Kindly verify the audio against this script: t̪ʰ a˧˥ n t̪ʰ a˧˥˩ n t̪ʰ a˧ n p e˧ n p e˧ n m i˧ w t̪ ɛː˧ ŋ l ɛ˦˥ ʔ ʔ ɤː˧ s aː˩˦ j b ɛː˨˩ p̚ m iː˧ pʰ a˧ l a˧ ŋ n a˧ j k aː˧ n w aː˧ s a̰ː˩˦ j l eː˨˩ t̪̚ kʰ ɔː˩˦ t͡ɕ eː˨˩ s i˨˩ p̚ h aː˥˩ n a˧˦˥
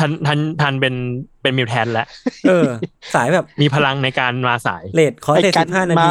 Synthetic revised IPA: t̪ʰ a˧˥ n t̪ʰ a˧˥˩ n t̪ʰ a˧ n p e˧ n p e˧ n m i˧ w t̪ʰ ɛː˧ n l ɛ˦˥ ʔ ʔ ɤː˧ s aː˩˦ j b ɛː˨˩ p̚ m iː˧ pʰ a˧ l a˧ ŋ n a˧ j k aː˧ n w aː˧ s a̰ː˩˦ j l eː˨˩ t̪̚ kʰ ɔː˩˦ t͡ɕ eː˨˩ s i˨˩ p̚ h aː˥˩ n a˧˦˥